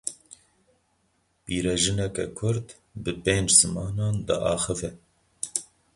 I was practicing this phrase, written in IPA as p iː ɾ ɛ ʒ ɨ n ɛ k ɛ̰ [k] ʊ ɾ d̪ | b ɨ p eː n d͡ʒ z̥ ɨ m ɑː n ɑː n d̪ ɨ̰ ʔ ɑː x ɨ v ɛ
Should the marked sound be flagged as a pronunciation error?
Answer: yes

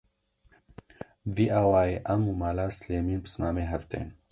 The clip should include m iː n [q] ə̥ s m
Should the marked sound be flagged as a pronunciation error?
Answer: yes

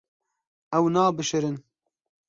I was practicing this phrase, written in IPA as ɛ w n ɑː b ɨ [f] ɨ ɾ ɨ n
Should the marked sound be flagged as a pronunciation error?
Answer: yes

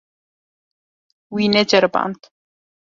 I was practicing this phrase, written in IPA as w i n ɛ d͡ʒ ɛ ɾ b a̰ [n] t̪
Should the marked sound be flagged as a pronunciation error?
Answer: no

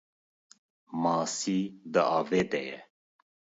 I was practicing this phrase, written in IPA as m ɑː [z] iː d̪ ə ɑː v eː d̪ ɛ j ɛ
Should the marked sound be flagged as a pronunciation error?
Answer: yes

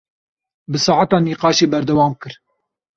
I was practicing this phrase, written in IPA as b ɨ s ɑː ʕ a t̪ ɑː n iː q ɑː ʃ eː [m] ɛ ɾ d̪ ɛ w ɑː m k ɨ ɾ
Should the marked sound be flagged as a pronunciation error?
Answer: yes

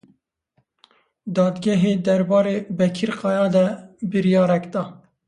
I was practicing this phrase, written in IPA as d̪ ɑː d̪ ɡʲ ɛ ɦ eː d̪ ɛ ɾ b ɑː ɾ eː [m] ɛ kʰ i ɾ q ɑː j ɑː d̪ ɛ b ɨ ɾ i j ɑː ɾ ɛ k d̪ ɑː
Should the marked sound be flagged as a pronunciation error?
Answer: yes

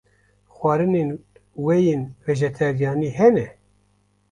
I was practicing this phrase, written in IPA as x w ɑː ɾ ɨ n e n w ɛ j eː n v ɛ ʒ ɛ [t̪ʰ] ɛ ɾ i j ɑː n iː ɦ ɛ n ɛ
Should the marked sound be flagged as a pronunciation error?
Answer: no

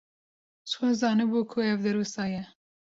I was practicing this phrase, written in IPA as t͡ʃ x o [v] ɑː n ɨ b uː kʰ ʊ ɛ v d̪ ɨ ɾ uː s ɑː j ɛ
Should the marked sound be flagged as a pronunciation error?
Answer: yes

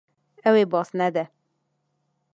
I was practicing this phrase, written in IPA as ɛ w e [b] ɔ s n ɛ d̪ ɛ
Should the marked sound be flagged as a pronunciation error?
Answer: no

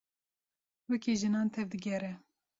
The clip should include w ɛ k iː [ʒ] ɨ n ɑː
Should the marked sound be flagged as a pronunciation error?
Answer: no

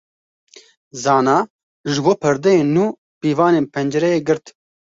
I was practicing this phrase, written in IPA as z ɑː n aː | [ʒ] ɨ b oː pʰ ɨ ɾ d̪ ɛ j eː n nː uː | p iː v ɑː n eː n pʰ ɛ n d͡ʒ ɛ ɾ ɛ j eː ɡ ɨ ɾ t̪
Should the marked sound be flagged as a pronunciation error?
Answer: no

